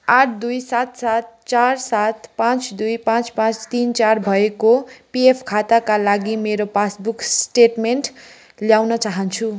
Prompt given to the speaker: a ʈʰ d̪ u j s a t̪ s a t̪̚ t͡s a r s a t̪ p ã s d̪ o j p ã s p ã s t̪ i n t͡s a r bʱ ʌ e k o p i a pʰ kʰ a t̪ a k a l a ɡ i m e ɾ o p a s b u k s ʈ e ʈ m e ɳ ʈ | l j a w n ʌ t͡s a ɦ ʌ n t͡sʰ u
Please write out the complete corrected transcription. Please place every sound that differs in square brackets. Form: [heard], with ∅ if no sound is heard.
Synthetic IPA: a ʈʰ d̪ u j s a t̪ s a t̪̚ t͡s a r s a t̪ p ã [t͡s] d̪ [u] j p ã [t͡s] p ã [t͡s] t̪ i n t͡s a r bʱ ʌ e k o p i [e] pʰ kʰ a t̪ a k a l a ɡ i m e ɾ o p a s b u k s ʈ e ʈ m e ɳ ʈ | l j a w n ʌ t͡s a ɦ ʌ n t͡sʰ u